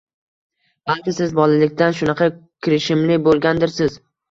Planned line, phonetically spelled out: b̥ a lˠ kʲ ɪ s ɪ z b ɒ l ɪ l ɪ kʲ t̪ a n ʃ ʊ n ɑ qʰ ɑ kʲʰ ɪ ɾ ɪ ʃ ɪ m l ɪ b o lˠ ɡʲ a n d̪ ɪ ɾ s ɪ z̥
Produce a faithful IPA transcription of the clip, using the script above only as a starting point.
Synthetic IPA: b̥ a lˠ kʲ ɪ s ɪ z b ɒ l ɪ l ɪ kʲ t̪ a n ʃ ʊ n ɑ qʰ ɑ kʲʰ ɪ ɾ ɪ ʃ ɪ m l ɪ b o lˠ ɡʲ a n d̪ ɪ ɾ s ɪ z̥